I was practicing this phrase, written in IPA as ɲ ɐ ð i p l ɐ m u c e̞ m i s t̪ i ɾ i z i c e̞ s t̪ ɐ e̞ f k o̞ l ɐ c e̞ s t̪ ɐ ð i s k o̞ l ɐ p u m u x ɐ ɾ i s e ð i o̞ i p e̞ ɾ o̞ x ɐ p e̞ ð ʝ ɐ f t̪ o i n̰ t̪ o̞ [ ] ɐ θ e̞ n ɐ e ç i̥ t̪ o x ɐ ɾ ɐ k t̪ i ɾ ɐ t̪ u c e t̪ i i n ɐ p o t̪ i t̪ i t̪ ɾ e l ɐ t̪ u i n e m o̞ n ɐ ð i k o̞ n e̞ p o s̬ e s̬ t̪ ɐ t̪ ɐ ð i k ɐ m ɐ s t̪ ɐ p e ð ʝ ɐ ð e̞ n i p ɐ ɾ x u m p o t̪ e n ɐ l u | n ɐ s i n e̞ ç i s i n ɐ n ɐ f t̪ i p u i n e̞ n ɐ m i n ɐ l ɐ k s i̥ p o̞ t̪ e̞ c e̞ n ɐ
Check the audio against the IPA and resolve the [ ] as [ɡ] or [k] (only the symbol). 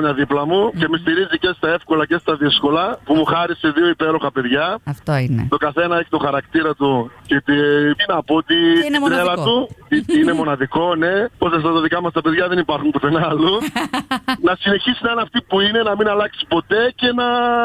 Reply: k